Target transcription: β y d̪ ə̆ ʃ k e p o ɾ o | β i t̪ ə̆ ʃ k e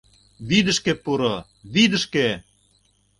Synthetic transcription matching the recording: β i d̪ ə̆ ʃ k e p u ɾ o | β i d̪ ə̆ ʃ k e

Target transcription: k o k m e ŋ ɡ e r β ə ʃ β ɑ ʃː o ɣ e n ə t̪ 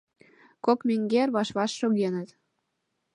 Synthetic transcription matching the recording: k o k m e ŋ ɡ e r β ɑ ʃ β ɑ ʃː o ɣ e n ə t̪

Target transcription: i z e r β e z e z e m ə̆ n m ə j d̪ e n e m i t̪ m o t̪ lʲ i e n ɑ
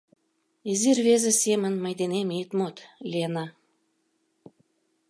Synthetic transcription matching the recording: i z i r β e z e s e m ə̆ n m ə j d̪ e n e m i t̪ m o t̪ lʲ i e n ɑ

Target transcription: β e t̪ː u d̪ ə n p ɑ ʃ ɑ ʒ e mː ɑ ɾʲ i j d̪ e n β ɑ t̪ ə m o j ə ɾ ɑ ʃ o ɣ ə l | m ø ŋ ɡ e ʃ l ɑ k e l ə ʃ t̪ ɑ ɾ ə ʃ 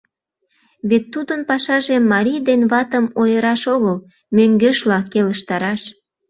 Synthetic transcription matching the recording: β e t̪ː u d̪ ə n p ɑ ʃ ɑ ʒ e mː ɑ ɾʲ i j d̪ e n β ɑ t̪ ə m o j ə ɾ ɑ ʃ o ɣ ə l | m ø ŋ ɡ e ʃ l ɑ k e l ə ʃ t̪ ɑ ɾ ɑ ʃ

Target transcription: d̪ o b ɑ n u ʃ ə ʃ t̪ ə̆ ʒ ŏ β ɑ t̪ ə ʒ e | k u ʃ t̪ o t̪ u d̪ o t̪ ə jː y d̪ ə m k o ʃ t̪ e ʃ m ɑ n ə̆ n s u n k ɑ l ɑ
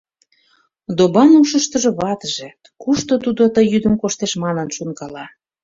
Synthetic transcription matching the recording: d̪ o b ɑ n u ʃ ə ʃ t̪ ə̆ ʒ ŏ β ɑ t̪ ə ʒ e | k u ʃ t̪ o t̪ u d̪ o t̪ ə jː y d̪ ə m k o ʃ t̪ e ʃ m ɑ n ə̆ n ʃ u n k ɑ l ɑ

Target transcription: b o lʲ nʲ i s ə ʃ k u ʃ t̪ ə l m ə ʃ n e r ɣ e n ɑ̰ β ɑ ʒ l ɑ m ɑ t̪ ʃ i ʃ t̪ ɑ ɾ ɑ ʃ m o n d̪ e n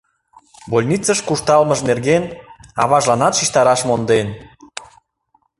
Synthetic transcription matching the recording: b o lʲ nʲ i t͡s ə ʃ k u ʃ t̪ ɑ l m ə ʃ n e r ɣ e n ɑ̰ β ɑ ʒ l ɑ n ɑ t̪ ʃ i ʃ t̪ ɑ ɾ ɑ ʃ m o n d̪ e n

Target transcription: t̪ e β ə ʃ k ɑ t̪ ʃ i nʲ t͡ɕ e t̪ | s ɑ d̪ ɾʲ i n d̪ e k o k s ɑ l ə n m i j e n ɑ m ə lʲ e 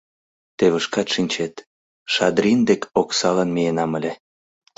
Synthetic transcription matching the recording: t̪ e β ə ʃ k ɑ t̪ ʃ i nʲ t͡ɕ e t̪ | ʃ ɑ d̪ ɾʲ i n d̪ e k o k s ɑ l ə n m i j e n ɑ m ə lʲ e

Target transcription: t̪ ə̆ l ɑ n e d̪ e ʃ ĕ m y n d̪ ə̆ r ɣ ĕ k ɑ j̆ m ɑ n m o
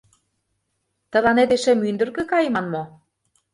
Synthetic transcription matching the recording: t̪ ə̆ l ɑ n e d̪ e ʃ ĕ m y n d̪ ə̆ r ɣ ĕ k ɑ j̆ m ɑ n m o

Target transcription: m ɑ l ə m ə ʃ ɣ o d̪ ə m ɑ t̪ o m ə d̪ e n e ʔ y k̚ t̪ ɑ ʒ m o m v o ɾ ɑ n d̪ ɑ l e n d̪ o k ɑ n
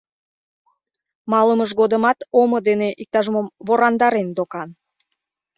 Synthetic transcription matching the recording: m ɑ l ə m ə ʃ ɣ o d̪ ə m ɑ t̪ o m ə d̪ e n e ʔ i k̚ t̪ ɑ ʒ m o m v o ɾ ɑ n d̪ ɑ ɾ e n d̪ o k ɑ n

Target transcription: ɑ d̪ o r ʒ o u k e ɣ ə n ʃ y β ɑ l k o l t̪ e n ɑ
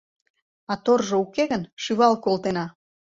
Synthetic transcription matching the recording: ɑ t̪ o r ʒ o u k e ɣ ə n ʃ y β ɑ l k o l t̪ e n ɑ

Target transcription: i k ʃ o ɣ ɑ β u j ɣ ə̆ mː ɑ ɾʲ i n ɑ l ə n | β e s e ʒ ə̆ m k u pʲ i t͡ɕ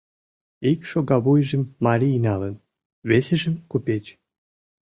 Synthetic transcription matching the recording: i k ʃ o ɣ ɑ β u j ʒ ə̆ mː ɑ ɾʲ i n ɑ l ə n | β e s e ʒ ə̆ m k u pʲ e t͡ɕ

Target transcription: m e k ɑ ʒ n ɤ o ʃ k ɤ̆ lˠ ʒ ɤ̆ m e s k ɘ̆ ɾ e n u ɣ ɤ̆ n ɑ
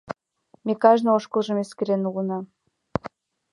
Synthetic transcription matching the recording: m e k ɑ ʒ n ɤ o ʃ k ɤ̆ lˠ ʒ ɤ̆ m e s k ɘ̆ ɾ e n u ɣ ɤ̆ n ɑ

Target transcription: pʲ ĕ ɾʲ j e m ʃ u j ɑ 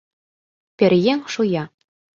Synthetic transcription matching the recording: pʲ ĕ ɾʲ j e ŋ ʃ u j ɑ

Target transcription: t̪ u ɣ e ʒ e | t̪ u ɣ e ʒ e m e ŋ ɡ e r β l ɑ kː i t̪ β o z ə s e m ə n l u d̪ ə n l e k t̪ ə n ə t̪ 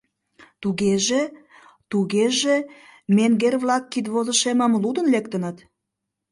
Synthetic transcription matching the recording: t̪ u ɣ e ʒ e | t̪ u ɣ e ʒ e m e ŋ ɡ e r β l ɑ kː i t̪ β o z ə ʃ e m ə m l u d̪ ə n l e k t̪ ə n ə t̪

